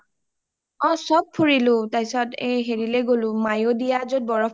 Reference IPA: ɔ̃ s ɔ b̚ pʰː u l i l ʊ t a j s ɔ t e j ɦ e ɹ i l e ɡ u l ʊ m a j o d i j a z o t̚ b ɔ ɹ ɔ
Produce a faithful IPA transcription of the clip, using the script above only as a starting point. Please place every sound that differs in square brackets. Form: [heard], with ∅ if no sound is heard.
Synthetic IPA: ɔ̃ s ɔ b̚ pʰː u [ɹ] i l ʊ t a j s ɔ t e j ɦ e ɹ i l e ɡ [o] l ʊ m a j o d i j a z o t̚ b ɔ ɹ ɔ